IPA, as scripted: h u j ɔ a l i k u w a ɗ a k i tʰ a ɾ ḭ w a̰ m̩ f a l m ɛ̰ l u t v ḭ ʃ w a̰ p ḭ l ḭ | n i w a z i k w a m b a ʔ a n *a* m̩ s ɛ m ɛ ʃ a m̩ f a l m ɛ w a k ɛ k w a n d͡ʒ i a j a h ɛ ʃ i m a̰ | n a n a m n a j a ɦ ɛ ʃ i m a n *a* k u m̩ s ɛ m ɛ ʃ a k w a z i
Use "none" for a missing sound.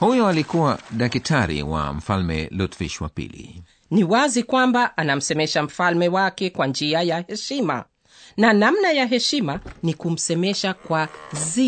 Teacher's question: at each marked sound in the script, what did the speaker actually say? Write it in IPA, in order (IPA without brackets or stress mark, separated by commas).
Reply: a, i